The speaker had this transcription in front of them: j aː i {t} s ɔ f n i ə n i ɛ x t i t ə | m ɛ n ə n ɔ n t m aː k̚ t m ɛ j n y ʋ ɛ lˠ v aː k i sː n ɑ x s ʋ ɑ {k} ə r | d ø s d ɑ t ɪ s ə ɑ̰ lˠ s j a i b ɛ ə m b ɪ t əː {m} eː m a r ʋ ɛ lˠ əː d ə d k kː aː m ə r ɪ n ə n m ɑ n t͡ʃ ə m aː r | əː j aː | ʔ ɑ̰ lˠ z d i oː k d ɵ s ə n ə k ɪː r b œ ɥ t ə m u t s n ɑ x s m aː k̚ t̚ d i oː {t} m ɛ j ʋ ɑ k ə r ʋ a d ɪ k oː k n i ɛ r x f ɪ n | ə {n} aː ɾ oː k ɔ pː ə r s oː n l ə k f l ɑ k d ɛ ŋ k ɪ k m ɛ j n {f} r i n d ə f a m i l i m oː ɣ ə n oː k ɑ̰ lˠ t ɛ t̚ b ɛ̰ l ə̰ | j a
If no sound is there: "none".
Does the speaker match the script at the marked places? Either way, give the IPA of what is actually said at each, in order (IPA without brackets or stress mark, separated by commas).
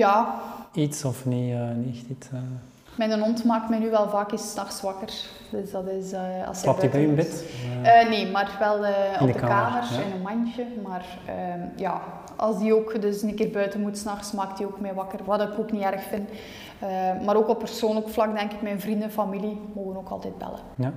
t, k, n, k, m, v